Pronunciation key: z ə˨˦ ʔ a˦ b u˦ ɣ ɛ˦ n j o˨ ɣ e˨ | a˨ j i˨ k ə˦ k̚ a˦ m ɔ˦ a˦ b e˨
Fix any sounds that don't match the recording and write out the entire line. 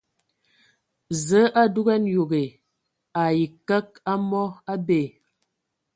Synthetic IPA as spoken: z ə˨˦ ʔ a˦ d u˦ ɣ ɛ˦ n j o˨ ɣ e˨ | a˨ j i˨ k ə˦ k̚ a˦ m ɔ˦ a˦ b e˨